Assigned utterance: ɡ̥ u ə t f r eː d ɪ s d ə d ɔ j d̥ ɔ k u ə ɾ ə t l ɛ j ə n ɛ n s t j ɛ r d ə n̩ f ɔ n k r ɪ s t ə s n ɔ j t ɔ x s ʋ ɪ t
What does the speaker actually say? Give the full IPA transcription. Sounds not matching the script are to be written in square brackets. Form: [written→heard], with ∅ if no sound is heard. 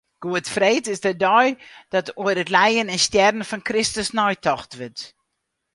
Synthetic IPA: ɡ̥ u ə t f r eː [d→t] ɪ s d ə d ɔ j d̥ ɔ [k→t] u ə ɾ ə t l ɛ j ə n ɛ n s t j ɛ r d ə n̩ f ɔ n k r ɪ s t ə s n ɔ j t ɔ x [s→t] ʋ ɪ t